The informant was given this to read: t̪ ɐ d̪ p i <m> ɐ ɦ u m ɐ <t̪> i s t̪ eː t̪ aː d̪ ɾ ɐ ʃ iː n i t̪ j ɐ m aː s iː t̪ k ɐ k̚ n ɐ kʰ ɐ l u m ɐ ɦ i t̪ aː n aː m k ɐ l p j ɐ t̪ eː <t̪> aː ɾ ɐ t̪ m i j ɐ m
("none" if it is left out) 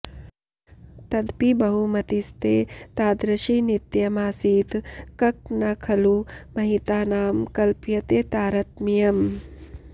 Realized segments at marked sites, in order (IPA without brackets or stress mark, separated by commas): b, t̪, t̪